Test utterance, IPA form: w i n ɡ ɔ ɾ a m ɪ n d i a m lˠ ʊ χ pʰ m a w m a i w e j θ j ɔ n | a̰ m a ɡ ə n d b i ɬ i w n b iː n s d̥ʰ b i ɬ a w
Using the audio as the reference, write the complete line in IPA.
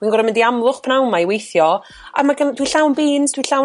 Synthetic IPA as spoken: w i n ɡ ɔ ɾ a m ɪ n d i a m lˠ ʊ χ pʰ n a w m a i w e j θ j ɔ | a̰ m a ɡ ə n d w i ɬ a w n b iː n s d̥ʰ w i ɬ a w

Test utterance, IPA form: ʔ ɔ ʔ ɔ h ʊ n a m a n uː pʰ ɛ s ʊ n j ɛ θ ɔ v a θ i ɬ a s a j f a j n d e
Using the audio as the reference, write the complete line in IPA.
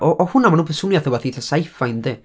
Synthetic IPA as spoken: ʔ ɔ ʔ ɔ h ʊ n a m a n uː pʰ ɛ s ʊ n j a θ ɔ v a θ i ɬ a s a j f a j n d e

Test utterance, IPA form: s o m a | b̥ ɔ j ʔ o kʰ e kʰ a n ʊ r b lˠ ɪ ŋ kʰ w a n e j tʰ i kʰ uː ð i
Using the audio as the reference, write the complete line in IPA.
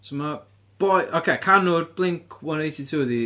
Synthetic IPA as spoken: s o m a | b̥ ɔ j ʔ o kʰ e kʰ a n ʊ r b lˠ ɪ ŋ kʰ w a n e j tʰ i tʰ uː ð i

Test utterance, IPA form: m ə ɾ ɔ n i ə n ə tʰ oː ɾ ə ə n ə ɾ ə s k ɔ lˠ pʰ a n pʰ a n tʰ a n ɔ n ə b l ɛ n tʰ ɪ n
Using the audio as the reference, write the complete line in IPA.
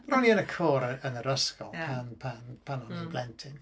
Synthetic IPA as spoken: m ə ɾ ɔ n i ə n ə kʰ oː ɾ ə ə n ə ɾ ə s k ɔ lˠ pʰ a n pʰ a n pʰ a n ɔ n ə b l ɛ n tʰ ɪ n

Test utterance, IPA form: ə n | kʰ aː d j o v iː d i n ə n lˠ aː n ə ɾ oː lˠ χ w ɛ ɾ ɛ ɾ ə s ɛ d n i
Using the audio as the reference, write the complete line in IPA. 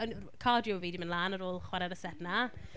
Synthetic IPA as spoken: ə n | kʰ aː d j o v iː d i m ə n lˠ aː n ə ɾ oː lˠ χ w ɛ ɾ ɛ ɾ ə s ɛ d n a

